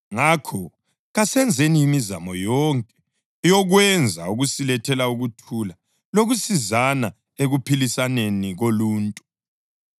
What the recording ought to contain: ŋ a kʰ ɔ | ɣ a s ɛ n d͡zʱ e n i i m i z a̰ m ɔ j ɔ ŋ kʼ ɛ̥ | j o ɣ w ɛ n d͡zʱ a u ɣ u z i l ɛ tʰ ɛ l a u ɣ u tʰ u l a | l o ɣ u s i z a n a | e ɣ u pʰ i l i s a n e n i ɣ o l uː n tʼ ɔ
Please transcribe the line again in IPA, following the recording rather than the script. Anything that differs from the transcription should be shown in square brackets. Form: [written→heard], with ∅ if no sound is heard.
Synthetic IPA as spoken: ŋ a kʰ ɔ | ɣ a s ɛ n d͡zʱ e n i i m i z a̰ m ɔ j ɔ ŋ kʼ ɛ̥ | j [o→ɔ] ɣ w ɛ n d͡zʱ a u ɣ u [z→s] i l ɛ tʰ ɛ l a u ɣ u tʰ u l a | l o ɣ u s i z a n a | e ɣ u pʰ i l i s a n e n i ɣ o l uː n tʼ [ɔ→u]

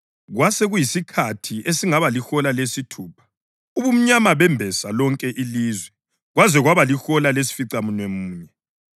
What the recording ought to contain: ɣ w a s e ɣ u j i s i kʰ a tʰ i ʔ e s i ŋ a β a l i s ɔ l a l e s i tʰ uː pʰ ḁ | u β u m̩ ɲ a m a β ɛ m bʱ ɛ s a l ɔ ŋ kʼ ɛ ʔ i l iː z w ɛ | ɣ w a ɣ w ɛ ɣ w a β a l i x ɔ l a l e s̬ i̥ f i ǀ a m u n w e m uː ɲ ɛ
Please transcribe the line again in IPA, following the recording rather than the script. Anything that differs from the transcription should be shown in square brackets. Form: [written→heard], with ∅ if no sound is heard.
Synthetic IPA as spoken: ɣ w a s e ɣ u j i s i kʰ a tʰ i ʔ e s i ŋ a β a l i [s→x] ɔ l a l e s i tʰ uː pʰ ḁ | u β u m̩ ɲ a m a β ɛ m bʱ ɛ s a l ɔ ŋ kʼ ɛ ʔ i l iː z w ɛ | ɣ w a [ɣ→z] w ɛ ɣ w a β a l i x ɔ l a l e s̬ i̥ f i ǀ a m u n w e m uː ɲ ɛ

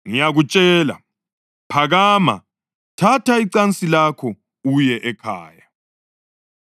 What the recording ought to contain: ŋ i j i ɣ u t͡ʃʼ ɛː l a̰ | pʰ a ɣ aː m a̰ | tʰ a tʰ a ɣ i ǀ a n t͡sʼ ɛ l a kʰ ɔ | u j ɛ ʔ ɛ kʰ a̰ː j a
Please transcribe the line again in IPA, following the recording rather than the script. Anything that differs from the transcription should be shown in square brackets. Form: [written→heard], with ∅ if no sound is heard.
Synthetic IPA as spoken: ŋ i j [i→a] ɣ u t͡ʃʼ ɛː l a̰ | pʰ a ɣ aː m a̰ | tʰ a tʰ a [ɣ→∅] i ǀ a n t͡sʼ [ɛ→i] l a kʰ ɔ | u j ɛ ʔ ɛ kʰ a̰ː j a

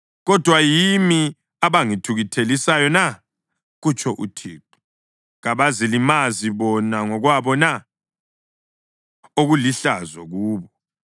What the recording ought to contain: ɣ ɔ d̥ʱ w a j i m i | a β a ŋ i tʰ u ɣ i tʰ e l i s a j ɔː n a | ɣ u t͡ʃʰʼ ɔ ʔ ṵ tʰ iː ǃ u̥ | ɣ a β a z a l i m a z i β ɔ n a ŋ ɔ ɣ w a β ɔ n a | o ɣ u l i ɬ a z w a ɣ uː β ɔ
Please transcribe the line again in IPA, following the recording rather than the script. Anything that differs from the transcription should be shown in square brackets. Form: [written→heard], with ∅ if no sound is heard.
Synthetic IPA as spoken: ɣ ɔ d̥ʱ w a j i m i | a β a ŋ i tʰ u ɣ i tʰ e l i s a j [ɔː→ɔ] n a | ɣ u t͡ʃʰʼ ɔ ʔ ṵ tʰ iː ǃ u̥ | ɣ a β a z [a→i] l i m a z i β ɔ n a ŋ ɔ ɣ w a β ɔ n a | o ɣ u l i ɬ a z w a ɣ uː β ɔ

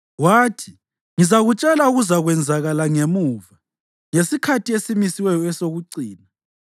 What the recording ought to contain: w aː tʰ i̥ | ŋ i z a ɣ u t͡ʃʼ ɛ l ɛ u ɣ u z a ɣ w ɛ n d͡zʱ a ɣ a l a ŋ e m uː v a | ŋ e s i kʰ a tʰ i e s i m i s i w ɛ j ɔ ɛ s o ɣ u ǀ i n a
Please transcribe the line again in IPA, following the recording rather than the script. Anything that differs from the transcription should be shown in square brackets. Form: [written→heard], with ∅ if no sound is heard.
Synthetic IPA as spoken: w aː tʰ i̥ | ŋ i z a ɣ u t͡ʃʼ ɛ l [ɛ→a] u ɣ u z a ɣ w ɛ n d͡zʱ a ɣ a l a ŋ e m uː v a | ŋ e s i kʰ a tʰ i e s i m i s i w ɛ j ɔ ɛ s o ɣ u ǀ [i→iː] n a

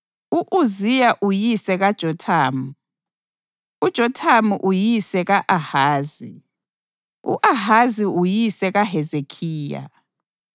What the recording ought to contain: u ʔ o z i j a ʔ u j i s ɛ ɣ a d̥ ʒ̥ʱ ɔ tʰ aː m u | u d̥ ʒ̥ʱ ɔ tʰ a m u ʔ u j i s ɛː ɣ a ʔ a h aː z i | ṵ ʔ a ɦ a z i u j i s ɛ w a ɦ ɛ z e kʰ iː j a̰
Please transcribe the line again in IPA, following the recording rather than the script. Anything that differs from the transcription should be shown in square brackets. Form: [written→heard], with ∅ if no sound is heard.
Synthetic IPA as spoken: u ʔ [o→u] z i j a ʔ u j i s ɛ ɣ a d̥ ʒ̥ʱ ɔ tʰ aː m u | u d̥ ʒ̥ʱ ɔ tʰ a m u ʔ u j i s [ɛː→ɛ] ɣ a ʔ a h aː z i | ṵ ʔ a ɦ a z i u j i s ɛ [w→ɣ] a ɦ ɛ z e kʰ iː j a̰

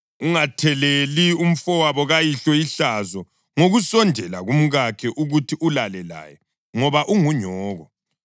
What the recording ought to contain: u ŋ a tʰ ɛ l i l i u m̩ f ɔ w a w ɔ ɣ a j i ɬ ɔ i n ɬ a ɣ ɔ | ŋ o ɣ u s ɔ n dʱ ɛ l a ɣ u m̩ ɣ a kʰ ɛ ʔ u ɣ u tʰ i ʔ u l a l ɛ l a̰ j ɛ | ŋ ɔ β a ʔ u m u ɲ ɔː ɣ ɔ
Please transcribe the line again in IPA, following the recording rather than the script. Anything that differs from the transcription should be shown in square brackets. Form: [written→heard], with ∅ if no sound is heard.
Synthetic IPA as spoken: u ŋ a tʰ ɛ l [i→e] l i u m̩ f ɔ w a [w→β] ɔ ɣ a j i ɬ ɔ i [n→∅] ɬ a [ɣ→z] ɔ | ŋ o ɣ u s ɔ n dʱ ɛ l a ɣ u m̩ ɣ a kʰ ɛ ʔ u ɣ u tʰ i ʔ u l a l ɛ l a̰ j ɛ | ŋ ɔ β a ʔ u [m→ŋ] u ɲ ɔː ɣ ɔ

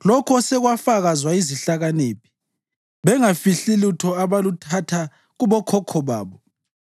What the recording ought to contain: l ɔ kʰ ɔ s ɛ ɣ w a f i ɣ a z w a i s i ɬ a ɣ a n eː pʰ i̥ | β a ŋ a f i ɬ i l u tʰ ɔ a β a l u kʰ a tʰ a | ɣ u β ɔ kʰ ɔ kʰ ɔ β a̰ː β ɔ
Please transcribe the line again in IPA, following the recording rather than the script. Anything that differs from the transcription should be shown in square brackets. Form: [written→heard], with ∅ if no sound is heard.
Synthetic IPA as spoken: l ɔ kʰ ɔ s ɛ ɣ w a f [i→a] ɣ a z w a i [s→z] i ɬ a ɣ a n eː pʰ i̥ | β [a→ɛ] ŋ a f i ɬ i l u tʰ ɔ a β a l u [kʰ→tʰ] a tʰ a | ɣ u β ɔ kʰ ɔ kʰ ɔ β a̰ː β ɔ

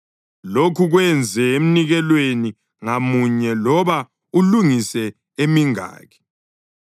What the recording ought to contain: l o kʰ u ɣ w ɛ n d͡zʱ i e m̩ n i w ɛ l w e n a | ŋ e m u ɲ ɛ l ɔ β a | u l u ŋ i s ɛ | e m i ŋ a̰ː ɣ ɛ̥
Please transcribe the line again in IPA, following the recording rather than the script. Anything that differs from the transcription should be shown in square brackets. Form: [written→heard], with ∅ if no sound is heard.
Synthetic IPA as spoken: l o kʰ u ɣ w ɛ n d͡zʱ [i→ɛ] e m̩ n i [w→ɣ] ɛ l w e n [a→i] | ŋ [e→a] m u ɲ ɛ l ɔ β a | u l u ŋ i s ɛ | e m i ŋ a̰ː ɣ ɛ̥

